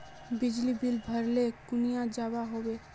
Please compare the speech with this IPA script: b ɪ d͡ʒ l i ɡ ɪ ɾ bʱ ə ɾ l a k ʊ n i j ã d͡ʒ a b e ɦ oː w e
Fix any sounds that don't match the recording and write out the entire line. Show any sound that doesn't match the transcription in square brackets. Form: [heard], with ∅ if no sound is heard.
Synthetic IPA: b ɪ d͡ʒ l i [b] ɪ [l] bʱ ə ɾ l [e] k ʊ n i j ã d͡ʒ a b [a] ɦ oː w e